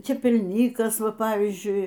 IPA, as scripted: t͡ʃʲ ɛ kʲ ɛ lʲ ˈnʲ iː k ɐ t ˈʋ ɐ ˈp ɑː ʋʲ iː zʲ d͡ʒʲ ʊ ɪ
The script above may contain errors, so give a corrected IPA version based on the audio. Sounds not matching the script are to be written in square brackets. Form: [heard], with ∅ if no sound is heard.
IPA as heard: t͡ʃʲ ɛ [pʲ] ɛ lʲ ˈnʲ iː k ɐ [s] ˈʋ ɐ ˈp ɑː ʋʲ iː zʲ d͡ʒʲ ʊ ɪ